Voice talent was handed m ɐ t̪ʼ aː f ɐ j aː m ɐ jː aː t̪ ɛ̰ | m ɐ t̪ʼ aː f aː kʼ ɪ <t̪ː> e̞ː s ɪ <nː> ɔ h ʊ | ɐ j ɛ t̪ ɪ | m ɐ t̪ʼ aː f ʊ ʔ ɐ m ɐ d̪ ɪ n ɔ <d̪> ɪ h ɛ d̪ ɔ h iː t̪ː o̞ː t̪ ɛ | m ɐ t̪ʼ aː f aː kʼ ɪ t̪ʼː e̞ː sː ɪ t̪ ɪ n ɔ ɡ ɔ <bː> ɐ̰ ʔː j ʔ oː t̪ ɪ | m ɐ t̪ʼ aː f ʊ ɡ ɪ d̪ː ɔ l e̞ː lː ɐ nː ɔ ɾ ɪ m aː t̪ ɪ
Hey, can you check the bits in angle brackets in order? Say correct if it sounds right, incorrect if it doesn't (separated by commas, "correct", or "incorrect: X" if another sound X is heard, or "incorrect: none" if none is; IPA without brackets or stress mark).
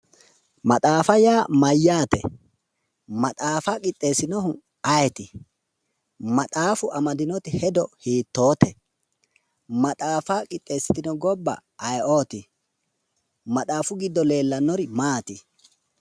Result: incorrect: t̪ʼː, incorrect: n, incorrect: t̪, correct